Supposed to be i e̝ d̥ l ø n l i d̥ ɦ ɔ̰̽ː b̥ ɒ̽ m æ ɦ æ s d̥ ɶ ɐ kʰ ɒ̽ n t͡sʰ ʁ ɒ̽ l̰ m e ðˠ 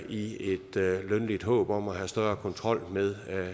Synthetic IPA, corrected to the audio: i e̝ d̥ l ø n l i d̥ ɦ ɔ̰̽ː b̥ ɒ̽ m æ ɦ æ s d̥ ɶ ɐ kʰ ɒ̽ n t͡sʰ ʁ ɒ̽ l̰ m e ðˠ